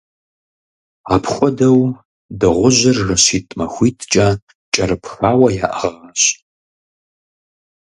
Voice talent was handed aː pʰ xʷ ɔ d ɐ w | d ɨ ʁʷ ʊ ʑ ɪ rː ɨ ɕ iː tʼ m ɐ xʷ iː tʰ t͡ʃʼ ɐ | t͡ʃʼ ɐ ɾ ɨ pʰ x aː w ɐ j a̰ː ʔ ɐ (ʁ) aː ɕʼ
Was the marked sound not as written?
no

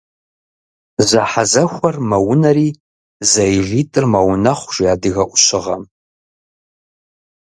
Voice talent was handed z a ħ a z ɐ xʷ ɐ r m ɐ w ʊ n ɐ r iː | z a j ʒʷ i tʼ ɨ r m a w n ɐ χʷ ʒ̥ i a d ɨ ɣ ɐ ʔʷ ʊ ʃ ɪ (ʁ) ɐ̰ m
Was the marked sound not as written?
no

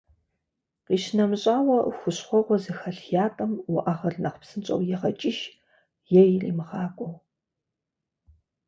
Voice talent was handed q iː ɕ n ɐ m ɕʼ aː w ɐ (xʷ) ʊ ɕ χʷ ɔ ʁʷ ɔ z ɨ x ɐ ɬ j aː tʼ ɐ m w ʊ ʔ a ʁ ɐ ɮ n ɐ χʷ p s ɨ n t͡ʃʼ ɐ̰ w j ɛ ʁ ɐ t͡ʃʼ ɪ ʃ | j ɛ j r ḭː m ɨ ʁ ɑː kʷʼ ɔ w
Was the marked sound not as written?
no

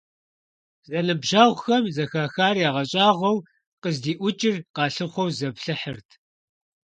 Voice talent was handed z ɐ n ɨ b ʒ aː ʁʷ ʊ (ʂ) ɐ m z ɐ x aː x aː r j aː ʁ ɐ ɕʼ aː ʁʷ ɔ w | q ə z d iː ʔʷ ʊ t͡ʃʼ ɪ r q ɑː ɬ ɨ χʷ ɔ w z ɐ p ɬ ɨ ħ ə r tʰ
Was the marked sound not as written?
yes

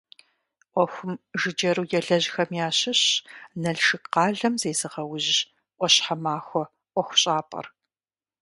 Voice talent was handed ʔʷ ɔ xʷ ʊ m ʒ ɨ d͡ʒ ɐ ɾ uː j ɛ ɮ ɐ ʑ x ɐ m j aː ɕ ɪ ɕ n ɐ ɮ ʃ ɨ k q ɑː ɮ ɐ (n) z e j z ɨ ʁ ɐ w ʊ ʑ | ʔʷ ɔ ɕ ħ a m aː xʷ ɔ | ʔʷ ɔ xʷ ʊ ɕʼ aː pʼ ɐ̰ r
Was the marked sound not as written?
yes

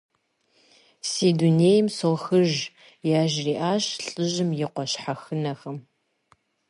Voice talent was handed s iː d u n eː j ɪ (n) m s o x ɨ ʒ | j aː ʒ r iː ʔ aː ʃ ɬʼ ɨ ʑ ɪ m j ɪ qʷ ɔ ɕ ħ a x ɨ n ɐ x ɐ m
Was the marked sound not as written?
yes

